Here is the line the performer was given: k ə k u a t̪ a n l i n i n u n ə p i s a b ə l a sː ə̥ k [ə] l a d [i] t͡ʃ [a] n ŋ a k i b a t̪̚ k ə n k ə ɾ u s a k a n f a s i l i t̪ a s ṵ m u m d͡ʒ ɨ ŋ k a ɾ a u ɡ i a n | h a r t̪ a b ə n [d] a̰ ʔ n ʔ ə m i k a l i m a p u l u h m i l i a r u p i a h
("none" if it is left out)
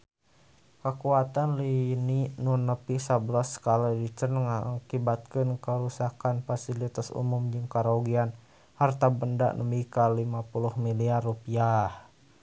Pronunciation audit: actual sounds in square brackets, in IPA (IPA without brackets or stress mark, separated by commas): a, i, ə, d